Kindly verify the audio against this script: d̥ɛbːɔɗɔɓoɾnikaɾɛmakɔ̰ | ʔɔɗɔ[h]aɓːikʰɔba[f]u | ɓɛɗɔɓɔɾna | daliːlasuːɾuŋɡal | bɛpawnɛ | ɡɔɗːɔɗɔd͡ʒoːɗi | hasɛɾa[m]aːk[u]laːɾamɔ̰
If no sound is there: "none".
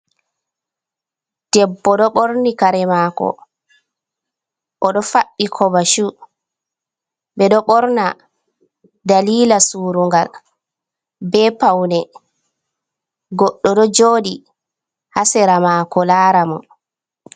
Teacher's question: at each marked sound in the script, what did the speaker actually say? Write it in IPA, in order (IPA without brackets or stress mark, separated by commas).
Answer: f, ʃ, m, ɔ